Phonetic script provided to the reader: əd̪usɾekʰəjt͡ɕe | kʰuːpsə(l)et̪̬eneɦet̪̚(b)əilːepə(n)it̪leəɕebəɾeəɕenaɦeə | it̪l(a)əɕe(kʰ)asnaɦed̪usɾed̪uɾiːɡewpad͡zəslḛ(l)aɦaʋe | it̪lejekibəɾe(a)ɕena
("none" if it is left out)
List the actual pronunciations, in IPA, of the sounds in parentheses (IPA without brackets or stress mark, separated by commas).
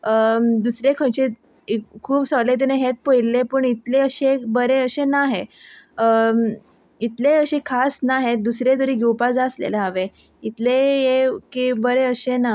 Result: l, p, ɳ, e, kʰ, l, ə